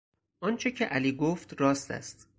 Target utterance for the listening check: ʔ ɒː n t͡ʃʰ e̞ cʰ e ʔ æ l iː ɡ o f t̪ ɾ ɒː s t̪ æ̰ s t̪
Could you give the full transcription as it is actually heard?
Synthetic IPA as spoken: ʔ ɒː n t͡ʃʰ e̞ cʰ e ʔ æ l iː ɡ o f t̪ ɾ ɒː s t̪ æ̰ s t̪